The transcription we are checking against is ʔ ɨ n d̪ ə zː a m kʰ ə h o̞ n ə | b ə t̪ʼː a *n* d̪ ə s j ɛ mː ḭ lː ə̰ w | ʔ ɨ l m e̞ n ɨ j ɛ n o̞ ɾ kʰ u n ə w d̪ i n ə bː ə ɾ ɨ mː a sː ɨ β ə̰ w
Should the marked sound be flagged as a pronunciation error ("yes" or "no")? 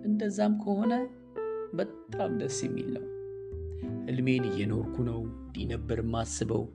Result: yes